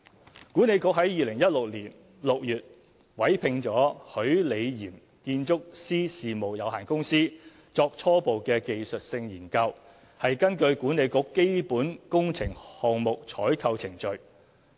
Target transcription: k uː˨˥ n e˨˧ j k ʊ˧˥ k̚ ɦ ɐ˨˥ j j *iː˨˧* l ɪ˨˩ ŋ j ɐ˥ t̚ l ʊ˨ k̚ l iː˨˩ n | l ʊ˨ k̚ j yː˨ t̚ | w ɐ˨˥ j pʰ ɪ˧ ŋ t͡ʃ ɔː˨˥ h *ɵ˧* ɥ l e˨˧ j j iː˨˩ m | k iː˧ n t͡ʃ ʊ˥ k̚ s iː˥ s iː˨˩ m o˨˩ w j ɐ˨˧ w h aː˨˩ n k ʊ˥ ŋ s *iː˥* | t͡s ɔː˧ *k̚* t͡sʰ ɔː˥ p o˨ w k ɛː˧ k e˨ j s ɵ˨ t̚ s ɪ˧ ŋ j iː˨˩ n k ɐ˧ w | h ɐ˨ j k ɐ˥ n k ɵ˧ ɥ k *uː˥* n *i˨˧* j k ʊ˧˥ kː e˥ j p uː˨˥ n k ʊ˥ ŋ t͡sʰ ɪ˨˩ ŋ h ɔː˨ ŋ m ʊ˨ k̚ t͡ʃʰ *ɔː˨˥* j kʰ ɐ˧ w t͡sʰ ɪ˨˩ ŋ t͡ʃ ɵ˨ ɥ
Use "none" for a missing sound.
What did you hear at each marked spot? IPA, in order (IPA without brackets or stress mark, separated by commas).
iː˨˧, ɵ˨˥, iː˥, k̚, uː˨˥, e˨˧, ɔː˨˥